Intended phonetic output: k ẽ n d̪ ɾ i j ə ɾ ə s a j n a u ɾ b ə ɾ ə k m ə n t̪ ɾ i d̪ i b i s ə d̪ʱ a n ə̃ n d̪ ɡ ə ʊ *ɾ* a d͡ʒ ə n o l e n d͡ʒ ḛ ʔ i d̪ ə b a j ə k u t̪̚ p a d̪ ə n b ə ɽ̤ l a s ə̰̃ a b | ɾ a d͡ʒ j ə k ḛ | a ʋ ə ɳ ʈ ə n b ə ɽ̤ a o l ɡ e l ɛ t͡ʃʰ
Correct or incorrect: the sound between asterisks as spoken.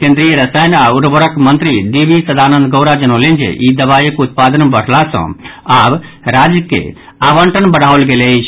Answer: correct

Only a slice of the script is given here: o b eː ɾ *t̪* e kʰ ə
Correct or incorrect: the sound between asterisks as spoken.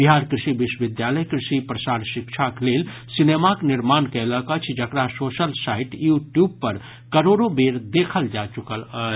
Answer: incorrect: d̪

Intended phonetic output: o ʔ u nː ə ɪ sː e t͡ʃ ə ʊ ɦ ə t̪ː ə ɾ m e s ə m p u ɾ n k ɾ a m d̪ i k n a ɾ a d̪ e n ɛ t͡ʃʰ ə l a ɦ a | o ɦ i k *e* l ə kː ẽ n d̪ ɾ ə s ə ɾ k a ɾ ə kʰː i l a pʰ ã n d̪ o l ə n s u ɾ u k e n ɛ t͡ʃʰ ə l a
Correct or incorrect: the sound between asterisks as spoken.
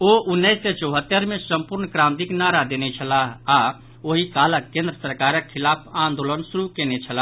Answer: incorrect: a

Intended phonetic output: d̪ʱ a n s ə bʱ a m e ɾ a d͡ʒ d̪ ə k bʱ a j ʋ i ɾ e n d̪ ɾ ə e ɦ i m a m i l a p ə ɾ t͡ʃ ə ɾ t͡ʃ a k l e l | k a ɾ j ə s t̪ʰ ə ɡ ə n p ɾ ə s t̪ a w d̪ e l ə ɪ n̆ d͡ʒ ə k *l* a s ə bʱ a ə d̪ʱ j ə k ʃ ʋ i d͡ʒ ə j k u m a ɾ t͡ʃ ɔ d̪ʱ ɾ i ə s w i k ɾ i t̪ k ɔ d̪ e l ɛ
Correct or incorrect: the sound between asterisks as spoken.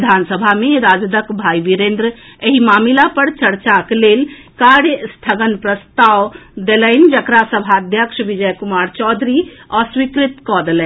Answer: incorrect: ɾ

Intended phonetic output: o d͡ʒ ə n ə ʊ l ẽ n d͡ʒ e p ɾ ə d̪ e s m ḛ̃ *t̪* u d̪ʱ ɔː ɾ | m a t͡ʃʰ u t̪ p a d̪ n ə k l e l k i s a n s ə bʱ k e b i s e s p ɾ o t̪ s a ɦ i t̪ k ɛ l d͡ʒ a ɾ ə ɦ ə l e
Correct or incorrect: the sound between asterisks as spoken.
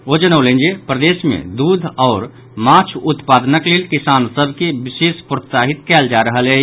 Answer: incorrect: d̪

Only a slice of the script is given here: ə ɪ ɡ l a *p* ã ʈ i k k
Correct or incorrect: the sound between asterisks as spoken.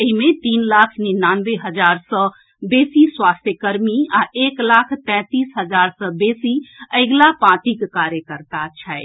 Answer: correct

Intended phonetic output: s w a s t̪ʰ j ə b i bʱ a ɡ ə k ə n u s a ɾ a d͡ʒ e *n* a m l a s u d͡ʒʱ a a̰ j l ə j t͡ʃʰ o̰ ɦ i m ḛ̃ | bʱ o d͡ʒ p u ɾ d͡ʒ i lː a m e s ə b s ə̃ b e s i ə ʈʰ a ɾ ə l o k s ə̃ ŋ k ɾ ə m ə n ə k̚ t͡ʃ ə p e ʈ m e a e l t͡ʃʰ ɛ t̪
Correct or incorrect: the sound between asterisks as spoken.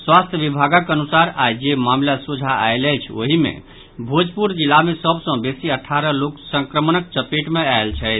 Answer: incorrect: m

